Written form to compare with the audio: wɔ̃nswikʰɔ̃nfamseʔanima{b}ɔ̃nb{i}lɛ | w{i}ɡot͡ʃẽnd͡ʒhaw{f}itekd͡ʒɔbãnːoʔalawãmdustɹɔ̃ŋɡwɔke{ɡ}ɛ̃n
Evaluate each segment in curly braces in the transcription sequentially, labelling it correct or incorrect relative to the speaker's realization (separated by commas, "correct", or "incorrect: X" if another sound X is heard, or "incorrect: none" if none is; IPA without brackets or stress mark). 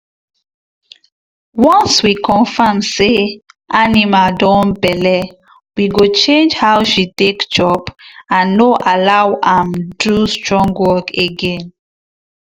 incorrect: d, incorrect: ɛ, correct, incorrect: ʃ, correct